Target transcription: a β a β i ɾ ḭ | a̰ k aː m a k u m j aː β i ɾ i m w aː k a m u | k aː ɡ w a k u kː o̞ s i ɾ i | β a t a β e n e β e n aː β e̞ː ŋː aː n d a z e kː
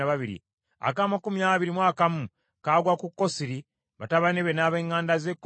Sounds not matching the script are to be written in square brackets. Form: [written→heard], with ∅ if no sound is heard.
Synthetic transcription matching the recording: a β a β i ɾ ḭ | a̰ k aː m a k u m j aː β i ɾ i m w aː k a m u | k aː ɡ w a k u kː o̞ s i ɾ i | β a t a β [e→a] n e β e n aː β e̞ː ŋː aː n d a z e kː